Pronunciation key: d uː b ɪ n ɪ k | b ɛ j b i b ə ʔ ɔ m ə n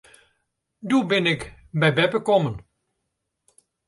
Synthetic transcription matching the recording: d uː b ɪ n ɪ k | b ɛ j b ɛ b ə k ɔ m ə n